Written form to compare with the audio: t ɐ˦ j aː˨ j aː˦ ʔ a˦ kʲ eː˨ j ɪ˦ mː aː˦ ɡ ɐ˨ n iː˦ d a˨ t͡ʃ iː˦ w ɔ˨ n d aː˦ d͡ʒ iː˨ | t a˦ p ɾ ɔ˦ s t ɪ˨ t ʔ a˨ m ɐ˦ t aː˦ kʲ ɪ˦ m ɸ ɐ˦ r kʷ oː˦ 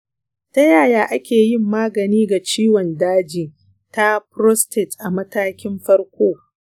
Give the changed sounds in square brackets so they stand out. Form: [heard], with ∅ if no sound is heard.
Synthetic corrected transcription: t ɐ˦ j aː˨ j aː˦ ʔ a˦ kʲ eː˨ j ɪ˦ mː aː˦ ɡ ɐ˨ n iː˦ [ɡ] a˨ t͡ʃ iː˦ w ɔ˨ n d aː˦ d͡ʒ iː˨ | t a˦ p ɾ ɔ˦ s t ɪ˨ t ʔ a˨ m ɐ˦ t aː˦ kʲ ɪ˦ m ɸ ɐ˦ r kʷ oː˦

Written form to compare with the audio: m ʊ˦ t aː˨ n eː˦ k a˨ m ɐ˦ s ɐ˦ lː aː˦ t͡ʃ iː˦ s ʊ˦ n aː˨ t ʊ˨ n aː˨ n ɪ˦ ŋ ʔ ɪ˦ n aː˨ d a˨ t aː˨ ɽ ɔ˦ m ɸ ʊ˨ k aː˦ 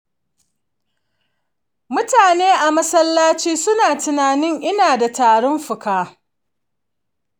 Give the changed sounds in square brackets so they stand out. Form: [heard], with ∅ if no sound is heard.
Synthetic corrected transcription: m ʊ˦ t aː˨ n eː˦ [ʔ] a˨ m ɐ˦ s ɐ˦ lː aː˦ t͡ʃ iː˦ s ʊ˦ n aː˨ t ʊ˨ n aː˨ n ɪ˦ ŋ ʔ ɪ˦ n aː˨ d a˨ t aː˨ ɽ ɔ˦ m ɸ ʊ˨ k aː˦

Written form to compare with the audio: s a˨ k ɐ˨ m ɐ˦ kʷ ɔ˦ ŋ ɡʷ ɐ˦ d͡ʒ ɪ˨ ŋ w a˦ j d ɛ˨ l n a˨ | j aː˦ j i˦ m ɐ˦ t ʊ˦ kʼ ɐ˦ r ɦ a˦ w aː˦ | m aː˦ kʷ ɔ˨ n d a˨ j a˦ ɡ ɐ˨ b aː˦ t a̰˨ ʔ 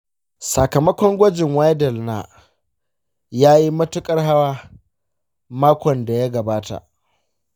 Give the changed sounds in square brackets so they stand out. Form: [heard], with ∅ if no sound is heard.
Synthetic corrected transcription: s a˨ k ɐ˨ m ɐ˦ kʷ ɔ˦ ŋ ɡʷ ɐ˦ d͡ʒ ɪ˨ ŋ w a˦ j d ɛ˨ l n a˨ | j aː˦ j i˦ m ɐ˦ t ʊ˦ kʼ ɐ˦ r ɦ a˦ w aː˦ | m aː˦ kʷ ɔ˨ n d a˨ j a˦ ɡ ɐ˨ b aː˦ t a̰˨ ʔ

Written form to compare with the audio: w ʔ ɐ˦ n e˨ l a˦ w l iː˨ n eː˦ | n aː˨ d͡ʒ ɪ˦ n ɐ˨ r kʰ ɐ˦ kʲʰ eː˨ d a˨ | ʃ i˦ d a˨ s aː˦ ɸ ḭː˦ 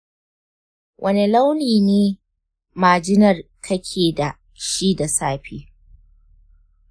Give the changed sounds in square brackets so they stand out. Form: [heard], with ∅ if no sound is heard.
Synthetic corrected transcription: w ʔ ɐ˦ n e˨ l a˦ w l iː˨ n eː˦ | [m] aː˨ d͡ʒ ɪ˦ n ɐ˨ r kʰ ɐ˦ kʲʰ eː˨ d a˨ | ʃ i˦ d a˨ s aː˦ ɸ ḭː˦

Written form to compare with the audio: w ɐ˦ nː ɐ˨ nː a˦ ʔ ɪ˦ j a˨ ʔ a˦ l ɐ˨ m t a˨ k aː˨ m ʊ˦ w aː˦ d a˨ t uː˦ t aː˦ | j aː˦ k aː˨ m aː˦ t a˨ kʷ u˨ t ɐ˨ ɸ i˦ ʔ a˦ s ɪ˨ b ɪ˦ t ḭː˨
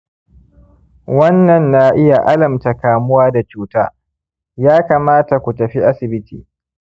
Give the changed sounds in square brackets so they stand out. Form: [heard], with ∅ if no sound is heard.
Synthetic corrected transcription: w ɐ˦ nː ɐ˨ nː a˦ ʔ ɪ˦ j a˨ ʔ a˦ l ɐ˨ m t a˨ k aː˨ m ʊ˦ w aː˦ d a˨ [t͡ʃ] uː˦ t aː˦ | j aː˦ k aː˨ m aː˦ t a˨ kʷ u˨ t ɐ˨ ɸ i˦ ʔ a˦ s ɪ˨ b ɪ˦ t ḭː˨

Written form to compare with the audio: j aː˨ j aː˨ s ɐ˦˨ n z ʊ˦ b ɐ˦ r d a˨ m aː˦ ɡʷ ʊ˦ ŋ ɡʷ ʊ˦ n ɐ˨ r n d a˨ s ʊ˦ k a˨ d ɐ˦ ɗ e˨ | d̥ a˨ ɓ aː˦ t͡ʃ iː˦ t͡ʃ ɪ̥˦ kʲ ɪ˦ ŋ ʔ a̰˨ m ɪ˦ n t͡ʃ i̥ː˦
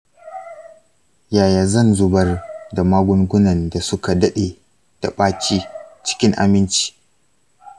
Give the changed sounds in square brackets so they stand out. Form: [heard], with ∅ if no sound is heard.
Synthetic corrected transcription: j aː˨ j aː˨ [z] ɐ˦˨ n z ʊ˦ b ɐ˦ r d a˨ m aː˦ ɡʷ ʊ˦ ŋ ɡʷ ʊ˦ n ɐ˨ [∅] n d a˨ s ʊ˦ k a˨ d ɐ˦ ɗ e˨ | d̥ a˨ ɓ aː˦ t͡ʃ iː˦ t͡ʃ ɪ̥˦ kʲ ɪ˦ ŋ ʔ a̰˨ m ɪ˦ n t͡ʃ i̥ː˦

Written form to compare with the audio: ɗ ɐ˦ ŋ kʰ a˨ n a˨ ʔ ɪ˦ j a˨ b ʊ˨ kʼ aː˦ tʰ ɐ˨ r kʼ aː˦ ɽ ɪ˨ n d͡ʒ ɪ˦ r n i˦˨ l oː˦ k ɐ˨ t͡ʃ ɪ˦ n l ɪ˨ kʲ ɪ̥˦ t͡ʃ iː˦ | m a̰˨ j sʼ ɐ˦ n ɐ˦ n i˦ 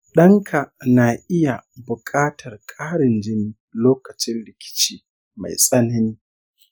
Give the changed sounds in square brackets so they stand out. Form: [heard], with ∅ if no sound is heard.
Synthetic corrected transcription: ɗ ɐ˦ ŋ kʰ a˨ n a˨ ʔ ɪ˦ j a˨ b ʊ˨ kʼ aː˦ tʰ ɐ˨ r kʼ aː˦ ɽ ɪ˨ n d͡ʒ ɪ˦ [∅] n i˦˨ l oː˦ k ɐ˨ t͡ʃ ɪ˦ n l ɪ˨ kʲ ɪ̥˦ t͡ʃ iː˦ | m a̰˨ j sʼ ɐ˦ n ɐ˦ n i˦

